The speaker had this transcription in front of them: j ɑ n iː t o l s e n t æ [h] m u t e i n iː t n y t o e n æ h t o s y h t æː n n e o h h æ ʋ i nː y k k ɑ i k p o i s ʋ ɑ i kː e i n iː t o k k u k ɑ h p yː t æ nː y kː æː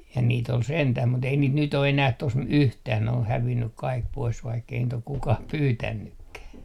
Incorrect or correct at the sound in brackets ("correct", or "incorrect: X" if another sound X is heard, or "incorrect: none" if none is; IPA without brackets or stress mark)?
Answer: correct